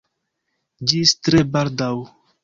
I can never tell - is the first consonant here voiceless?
no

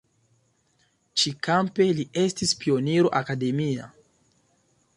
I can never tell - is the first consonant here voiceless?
yes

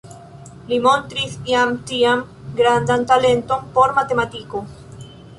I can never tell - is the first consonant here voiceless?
no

